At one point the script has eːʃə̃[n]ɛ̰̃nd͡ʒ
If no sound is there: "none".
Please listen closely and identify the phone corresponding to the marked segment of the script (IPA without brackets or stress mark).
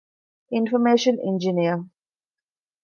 n